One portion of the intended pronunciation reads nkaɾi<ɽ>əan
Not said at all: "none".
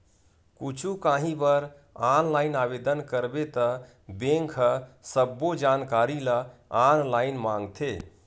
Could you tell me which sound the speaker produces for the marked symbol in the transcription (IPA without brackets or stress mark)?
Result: l